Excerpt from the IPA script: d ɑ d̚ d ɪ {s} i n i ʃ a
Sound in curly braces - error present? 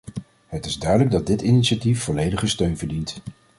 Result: yes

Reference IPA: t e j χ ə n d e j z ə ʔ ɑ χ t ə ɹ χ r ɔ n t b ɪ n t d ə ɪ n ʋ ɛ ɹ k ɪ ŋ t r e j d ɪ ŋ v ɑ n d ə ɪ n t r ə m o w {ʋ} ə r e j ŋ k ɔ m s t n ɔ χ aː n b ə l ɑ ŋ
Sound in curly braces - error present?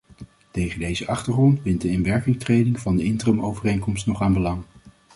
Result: yes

